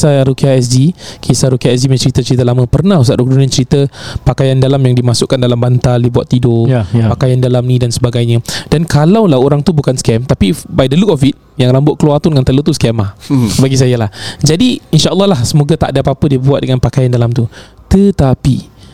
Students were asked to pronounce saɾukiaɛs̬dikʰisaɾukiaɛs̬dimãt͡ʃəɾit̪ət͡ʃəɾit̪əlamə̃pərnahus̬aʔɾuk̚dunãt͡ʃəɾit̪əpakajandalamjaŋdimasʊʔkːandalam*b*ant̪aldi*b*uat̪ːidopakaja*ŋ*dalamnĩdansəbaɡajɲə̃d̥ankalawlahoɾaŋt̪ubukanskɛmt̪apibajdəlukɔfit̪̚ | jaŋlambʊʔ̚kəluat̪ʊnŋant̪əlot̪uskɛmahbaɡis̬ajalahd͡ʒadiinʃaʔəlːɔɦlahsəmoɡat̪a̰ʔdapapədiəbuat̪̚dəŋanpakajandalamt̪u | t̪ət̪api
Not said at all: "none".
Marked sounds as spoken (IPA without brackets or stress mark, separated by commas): b, b, n